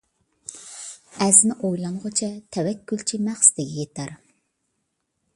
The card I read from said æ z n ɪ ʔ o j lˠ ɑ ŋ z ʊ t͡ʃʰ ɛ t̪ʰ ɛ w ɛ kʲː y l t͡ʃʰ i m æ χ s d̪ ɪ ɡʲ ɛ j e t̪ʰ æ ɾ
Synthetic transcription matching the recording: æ z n ɪ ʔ o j lˠ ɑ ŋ ʁ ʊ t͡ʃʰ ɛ t̪ʰ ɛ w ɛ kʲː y l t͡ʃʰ i m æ χ s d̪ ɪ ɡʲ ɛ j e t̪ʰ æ ɾ